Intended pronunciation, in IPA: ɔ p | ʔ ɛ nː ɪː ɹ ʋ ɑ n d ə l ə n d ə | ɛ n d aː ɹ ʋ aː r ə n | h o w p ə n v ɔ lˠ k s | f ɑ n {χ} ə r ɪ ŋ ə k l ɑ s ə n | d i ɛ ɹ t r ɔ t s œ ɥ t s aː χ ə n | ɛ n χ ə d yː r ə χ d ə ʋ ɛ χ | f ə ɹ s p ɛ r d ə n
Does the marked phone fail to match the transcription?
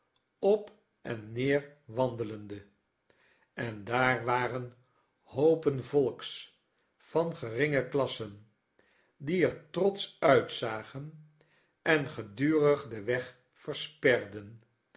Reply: no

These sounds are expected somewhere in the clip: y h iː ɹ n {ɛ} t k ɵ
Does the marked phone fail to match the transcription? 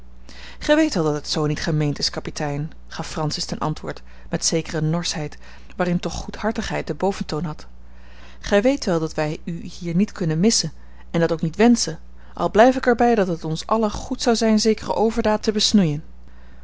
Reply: yes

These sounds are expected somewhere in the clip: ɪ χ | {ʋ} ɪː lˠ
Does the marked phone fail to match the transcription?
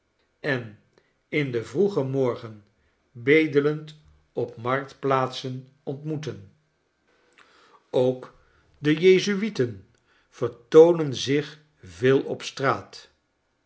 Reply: yes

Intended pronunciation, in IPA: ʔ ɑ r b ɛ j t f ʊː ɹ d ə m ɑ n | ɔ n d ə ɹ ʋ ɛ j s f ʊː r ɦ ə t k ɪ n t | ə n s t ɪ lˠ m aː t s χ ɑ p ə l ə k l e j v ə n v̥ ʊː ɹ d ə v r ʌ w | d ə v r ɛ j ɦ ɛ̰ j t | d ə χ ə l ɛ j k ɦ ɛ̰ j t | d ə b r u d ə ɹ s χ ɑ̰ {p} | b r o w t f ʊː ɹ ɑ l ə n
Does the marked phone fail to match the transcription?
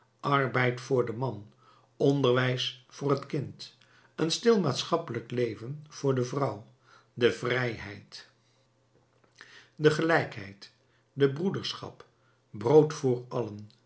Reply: no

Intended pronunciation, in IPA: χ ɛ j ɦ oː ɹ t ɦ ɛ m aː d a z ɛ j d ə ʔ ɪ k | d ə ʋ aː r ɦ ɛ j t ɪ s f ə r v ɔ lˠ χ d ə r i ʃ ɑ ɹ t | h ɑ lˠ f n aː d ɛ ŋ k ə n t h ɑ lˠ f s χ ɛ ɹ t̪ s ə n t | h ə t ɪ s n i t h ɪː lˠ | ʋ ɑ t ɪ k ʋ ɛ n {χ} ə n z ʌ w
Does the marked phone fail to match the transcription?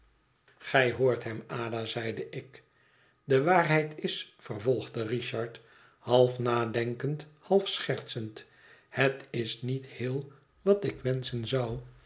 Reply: yes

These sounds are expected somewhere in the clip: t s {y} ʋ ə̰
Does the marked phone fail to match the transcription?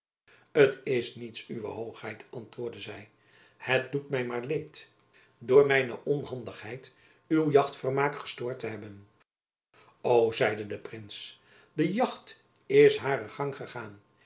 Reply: no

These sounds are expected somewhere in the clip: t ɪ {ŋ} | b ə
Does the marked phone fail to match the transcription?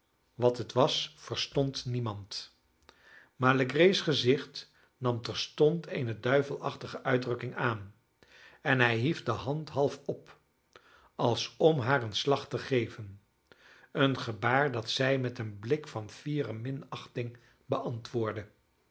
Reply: no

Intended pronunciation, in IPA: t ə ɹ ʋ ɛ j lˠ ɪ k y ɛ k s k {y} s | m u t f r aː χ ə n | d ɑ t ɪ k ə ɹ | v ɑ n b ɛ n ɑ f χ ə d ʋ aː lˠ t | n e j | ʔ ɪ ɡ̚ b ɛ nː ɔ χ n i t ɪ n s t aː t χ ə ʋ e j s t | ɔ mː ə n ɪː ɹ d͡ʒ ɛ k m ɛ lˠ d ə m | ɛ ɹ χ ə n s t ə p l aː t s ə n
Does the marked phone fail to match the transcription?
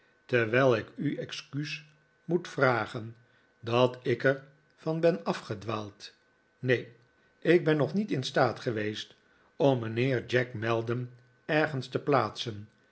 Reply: no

